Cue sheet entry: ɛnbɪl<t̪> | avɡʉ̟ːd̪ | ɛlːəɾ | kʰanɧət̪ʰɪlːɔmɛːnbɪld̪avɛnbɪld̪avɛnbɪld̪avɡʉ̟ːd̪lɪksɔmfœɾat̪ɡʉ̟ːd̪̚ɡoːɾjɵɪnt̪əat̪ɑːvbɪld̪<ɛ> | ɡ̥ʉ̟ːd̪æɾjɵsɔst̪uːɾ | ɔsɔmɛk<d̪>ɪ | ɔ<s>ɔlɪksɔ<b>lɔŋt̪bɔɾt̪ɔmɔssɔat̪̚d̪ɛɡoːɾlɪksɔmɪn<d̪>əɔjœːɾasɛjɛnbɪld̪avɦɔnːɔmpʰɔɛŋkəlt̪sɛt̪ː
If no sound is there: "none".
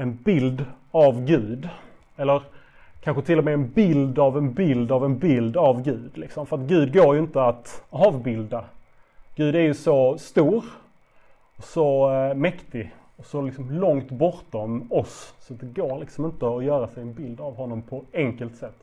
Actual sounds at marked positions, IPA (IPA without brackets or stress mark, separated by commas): d̪, a, t̪, s, m, t̪